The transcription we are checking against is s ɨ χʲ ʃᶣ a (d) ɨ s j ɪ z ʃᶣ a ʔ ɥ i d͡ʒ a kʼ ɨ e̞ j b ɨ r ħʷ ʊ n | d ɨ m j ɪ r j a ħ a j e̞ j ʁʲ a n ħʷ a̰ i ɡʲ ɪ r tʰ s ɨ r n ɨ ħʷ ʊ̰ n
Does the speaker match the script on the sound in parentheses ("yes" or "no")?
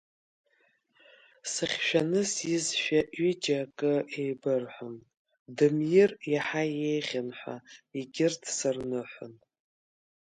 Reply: no